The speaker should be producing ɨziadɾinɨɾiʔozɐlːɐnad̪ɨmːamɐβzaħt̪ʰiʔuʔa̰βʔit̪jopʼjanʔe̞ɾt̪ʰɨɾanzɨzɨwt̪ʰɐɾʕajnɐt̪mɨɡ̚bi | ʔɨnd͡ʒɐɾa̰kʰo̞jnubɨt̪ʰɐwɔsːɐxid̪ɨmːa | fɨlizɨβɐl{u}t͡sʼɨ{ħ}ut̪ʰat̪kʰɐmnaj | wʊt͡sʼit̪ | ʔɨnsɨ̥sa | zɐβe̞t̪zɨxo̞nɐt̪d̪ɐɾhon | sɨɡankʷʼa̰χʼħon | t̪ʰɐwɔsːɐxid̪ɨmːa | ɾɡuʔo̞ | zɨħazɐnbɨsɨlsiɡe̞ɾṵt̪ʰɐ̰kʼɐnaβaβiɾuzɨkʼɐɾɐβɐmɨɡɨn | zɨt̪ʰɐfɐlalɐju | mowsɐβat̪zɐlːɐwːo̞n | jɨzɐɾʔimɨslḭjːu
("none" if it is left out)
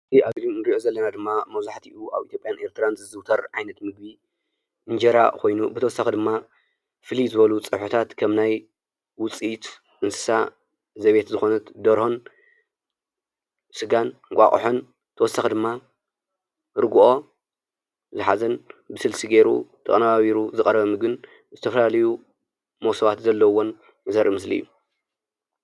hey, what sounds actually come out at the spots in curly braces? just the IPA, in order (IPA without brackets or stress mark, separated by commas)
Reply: u, ħ